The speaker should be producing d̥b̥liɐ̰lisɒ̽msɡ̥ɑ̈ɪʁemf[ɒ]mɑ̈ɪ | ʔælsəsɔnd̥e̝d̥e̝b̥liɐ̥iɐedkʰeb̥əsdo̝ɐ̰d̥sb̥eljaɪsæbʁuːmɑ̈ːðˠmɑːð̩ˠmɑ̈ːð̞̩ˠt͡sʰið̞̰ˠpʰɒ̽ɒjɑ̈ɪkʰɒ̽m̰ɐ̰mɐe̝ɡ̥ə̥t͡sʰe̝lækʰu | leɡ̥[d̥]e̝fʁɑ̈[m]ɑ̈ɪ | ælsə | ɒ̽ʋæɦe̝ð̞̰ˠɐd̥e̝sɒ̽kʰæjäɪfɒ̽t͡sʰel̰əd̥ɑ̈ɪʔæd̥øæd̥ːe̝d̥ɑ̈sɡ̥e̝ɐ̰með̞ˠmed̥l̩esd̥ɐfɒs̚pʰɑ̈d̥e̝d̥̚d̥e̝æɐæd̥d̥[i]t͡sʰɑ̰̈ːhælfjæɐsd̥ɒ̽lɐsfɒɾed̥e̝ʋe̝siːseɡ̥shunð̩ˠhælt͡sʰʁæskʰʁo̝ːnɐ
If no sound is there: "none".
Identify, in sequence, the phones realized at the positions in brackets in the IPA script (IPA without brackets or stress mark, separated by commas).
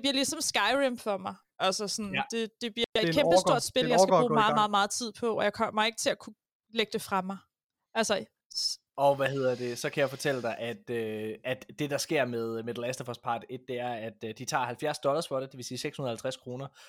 ɒ, d̥, m, i